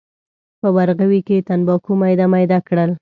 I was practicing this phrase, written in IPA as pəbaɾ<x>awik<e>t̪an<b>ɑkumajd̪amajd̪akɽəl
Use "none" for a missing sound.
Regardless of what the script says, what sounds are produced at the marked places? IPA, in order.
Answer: ɣ, e, b

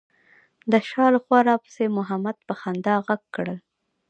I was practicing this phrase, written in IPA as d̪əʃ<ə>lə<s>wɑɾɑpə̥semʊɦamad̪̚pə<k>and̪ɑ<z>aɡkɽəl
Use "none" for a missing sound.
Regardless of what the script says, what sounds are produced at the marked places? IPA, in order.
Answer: ɑ, x, x, ɣ

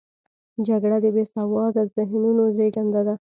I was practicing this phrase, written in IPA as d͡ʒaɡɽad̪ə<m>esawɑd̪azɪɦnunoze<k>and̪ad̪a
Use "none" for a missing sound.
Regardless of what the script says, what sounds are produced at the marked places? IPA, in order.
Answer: b, ɡ

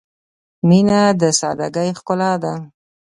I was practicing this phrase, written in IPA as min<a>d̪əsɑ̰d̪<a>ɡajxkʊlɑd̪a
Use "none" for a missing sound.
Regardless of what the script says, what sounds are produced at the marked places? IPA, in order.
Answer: a, a

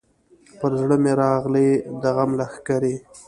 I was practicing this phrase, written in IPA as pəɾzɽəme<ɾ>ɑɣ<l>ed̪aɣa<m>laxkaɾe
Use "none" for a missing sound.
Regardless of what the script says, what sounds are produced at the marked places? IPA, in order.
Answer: ɾ, l, m

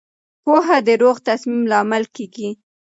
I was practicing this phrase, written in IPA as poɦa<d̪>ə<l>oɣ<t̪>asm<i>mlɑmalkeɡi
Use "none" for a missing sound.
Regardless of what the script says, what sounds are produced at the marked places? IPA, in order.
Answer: d̪, ɾ, t̪, i

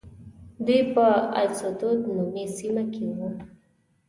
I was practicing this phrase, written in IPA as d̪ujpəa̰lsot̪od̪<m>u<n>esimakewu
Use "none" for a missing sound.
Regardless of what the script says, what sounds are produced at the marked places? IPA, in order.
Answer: n, m

